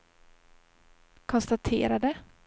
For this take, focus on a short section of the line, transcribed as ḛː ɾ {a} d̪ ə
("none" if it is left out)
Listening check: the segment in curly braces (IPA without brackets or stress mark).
a